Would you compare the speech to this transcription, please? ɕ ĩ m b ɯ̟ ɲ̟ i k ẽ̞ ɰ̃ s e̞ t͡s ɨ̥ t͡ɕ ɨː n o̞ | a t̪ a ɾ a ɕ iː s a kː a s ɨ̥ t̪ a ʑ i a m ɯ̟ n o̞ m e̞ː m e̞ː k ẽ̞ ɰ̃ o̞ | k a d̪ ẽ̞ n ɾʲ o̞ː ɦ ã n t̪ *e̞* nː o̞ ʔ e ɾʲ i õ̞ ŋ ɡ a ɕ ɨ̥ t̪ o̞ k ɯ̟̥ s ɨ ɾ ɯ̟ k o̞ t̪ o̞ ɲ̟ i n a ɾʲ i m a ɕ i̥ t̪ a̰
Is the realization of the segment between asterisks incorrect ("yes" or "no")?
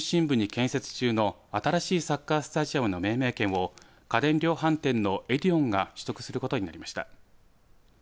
yes